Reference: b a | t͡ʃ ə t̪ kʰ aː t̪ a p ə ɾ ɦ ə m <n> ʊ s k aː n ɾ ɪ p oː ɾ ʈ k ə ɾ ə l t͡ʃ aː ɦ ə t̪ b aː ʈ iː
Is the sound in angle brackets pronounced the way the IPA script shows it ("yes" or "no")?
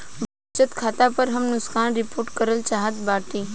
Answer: yes